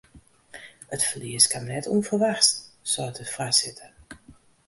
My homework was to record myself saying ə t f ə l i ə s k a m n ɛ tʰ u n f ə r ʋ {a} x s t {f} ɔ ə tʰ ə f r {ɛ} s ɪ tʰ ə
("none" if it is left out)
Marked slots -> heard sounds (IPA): a, s, a

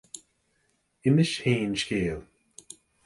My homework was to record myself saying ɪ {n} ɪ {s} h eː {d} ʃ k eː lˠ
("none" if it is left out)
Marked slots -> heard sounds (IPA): m, ʃ, n

